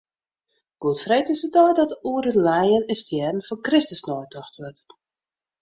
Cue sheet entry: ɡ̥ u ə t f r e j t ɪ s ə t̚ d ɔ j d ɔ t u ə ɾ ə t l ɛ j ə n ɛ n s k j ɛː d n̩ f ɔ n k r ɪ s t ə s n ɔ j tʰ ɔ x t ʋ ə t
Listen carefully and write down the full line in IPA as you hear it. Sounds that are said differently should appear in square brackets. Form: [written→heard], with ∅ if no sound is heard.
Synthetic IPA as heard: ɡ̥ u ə t f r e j t ɪ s ə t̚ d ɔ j d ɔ t u ə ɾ ə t l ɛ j ə n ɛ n s [k→t] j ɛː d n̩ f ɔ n k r ɪ s t ə s n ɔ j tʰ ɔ x t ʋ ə t